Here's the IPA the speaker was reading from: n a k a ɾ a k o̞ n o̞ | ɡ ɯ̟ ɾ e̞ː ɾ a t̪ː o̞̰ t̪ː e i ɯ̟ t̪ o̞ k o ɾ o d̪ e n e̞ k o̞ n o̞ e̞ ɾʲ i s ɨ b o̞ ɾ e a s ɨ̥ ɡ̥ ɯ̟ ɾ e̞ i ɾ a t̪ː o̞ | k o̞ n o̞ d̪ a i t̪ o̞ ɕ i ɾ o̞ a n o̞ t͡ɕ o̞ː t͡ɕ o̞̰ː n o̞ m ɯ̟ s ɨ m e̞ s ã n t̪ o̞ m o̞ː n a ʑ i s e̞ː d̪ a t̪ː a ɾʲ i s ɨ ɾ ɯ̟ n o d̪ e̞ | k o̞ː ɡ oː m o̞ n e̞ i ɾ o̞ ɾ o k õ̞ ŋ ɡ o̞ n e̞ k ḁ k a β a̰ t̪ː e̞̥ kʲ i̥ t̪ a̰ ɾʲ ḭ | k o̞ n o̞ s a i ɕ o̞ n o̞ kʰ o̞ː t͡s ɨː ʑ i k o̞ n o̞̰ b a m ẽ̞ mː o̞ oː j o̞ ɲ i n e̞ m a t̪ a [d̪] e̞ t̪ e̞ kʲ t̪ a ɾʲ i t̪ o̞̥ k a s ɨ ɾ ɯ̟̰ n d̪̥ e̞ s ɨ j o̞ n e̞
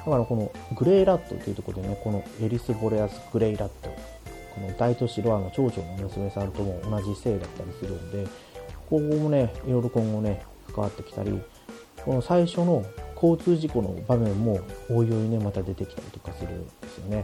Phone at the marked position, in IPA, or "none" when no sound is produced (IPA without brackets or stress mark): d̪